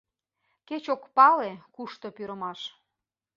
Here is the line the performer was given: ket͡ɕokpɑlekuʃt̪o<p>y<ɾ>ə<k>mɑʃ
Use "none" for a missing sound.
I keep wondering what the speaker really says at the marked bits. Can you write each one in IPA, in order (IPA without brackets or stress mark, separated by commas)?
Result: p, ɾ, none